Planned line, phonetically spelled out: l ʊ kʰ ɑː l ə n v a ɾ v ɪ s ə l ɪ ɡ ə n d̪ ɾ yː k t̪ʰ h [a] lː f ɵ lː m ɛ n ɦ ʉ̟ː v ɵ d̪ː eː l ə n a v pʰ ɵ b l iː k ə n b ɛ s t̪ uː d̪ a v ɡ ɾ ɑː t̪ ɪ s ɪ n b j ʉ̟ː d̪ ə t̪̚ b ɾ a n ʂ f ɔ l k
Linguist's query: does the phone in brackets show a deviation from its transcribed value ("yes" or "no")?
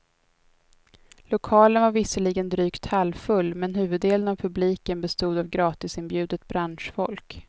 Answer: no